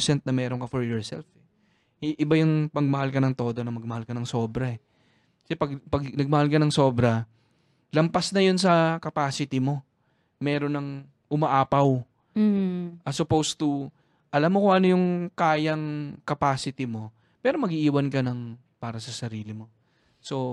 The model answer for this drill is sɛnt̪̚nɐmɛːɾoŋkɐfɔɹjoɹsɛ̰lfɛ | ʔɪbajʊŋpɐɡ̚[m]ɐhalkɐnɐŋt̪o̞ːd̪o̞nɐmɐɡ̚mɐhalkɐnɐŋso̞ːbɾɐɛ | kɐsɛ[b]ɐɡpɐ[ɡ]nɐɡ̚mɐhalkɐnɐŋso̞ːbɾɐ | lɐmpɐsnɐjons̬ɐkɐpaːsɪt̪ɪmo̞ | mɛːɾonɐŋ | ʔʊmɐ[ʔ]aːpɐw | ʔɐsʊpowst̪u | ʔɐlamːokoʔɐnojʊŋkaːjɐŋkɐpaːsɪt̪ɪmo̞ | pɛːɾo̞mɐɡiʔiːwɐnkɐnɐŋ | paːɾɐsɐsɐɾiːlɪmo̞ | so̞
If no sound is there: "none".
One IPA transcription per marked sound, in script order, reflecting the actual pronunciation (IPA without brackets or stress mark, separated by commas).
m, p, ɡ, ʔ